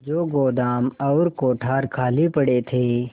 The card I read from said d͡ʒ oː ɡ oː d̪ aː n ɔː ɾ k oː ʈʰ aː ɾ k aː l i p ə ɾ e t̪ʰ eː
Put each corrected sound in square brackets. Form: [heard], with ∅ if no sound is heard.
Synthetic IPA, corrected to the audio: d͡ʒ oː ɡ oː d̪ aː [m] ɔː ɾ k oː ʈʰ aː ɾ [kʰ] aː l i p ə [ɽ] e t̪ʰ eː

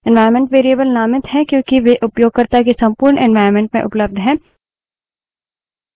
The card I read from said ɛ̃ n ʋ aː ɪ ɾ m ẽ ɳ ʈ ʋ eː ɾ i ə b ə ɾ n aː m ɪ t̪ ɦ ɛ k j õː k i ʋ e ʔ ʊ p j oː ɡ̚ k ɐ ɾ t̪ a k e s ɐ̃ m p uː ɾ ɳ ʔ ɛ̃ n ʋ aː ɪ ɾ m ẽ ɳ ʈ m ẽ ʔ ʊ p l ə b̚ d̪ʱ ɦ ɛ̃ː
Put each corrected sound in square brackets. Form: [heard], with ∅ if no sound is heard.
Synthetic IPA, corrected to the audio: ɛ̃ n ʋ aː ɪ ɾ m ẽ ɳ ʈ ʋ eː ɾ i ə b ə [l] n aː m ɪ t̪ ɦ ɛ k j õː k i ʋ e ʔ ʊ p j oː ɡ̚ k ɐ ɾ t̪ a k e s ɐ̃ m p uː ɾ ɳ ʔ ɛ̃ n ʋ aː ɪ ɾ m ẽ ɳ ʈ m ẽ ʔ ʊ p l ə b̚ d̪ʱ ɦ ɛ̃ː

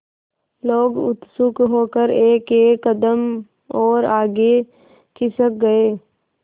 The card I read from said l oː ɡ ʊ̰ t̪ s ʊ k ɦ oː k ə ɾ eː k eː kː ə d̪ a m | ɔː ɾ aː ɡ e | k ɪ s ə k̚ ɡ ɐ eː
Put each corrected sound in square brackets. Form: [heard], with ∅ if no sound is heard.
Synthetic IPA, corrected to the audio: l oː ɡ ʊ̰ t̪ s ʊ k ɦ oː k ə ɾ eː k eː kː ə d̪ [ə] m | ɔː ɾ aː ɡ e | k ɪ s ə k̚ ɡ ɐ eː

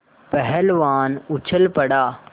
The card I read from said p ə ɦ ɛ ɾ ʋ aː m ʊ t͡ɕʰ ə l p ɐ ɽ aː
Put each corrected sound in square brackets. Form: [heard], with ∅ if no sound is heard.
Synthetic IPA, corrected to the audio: p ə ɦ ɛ [l] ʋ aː [n] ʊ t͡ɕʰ ə l p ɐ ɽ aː

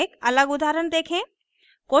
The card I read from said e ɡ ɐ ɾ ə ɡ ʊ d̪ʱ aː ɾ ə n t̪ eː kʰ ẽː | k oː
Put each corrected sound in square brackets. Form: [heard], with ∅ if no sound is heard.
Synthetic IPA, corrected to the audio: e [k] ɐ [l] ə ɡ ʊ d̪ʱ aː ɾ ə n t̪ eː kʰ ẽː | k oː

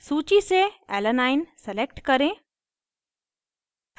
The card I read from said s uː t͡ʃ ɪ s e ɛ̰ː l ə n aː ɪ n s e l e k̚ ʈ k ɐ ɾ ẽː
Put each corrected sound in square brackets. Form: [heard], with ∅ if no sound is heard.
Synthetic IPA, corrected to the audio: s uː t͡ʃ [i] s e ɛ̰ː l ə n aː ɪ n s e l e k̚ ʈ k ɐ ɾ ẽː

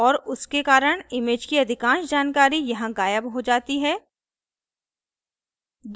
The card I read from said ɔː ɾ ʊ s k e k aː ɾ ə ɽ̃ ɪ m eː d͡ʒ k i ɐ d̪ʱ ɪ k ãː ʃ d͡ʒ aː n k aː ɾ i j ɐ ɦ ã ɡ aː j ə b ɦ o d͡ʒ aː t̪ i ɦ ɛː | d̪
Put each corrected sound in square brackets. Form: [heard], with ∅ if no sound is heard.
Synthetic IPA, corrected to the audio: ɔː ɾ ʊ s k e k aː ɾ ə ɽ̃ ɪ m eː d͡ʒ k i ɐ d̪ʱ ɪ k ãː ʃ d͡ʒ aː n k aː ɾ i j ɐ ɦ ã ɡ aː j ə b ɦ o d͡ʒ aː t̪ i ɦ ɛː | d̪

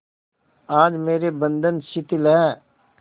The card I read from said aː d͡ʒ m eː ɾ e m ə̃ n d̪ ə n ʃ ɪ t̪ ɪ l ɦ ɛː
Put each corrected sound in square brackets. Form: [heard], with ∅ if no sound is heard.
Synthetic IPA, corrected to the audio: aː d͡ʒ m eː ɾ e [b] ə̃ n d̪ ə n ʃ ɪ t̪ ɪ l ɦ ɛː

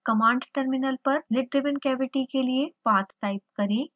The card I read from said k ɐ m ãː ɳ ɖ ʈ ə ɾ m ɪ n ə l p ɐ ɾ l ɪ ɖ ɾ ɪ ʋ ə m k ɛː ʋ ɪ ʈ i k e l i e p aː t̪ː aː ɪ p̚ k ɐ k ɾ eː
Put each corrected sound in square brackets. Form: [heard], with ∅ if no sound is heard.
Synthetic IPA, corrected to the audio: k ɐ m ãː ɳ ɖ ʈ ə ɾ m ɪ n ə l p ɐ ɾ l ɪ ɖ ɾ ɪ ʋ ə [n] k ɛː ʋ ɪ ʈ i k e l i e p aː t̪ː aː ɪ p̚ k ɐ [∅] ɾ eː

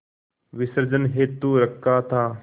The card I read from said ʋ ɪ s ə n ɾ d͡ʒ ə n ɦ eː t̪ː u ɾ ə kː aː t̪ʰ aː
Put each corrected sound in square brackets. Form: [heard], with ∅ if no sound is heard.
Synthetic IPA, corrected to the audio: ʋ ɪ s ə [∅] ɾ d͡ʒ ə n ɦ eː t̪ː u ɾ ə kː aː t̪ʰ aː

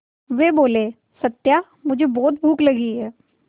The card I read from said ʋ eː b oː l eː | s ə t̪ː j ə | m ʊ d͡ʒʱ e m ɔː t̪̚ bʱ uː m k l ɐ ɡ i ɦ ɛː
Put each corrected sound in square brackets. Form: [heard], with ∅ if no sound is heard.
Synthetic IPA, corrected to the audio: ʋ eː b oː l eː | s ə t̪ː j [a] | m ʊ d͡ʒʱ e [b] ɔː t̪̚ bʱ uː [∅] k l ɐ ɡ i ɦ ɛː

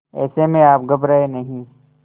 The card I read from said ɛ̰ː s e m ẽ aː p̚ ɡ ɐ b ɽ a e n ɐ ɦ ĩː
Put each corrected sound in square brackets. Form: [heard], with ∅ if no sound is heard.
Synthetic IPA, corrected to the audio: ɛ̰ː s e m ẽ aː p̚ ɡ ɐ b [ɾ] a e n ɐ ɦ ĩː

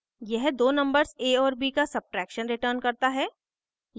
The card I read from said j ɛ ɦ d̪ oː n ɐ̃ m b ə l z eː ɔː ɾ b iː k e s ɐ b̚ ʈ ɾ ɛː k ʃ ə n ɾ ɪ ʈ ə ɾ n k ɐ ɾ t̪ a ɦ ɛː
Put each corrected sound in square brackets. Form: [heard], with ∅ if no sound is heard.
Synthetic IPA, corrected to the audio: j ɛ ɦ d̪ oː n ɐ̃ m b ə [ɾ] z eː ɔː ɾ b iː k [a] s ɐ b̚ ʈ ɾ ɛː k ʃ ə n ɾ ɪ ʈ ə ɾ n k ɐ ɾ t̪ a ɦ ɛː

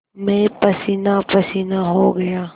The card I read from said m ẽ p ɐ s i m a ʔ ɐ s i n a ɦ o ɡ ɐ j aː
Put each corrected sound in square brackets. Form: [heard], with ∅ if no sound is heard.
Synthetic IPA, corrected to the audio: m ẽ p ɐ s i [n] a [p] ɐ s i n a ɦ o ɡ ɐ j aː

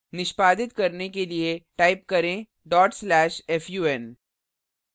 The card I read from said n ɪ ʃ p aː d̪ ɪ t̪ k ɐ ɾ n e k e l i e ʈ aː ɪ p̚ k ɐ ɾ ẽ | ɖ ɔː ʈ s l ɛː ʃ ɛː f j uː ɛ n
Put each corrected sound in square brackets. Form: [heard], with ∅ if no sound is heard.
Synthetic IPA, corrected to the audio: n ɪ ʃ p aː d̪ ɪ t̪ k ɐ ɾ n e k e l i e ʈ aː ɪ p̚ k ɐ ɾ ẽ | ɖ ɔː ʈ s l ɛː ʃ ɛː f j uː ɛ n

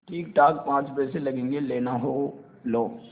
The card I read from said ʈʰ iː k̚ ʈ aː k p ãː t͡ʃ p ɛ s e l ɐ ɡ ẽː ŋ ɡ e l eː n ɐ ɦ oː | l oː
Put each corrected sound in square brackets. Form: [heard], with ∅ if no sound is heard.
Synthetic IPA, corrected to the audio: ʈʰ iː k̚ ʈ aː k p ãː t͡ʃ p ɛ s e l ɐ ɡ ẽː ŋ ɡ e l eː n [a] ɦ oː | l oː

